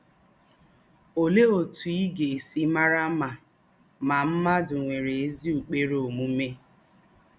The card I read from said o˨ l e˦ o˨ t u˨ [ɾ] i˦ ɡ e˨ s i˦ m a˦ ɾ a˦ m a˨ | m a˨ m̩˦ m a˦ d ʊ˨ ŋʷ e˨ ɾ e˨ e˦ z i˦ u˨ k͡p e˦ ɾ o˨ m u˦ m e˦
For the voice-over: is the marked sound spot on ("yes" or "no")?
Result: no